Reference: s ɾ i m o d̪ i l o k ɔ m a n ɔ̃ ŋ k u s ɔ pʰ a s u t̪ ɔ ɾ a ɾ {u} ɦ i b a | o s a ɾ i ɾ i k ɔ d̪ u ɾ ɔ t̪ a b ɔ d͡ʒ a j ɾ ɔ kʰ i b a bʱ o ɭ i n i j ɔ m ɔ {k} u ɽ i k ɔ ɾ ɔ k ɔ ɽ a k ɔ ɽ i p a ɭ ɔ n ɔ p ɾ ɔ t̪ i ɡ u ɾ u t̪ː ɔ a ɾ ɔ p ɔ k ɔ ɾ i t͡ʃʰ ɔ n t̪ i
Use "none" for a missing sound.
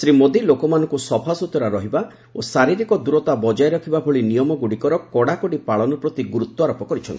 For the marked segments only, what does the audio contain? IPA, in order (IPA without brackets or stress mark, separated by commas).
ɔ, ɡ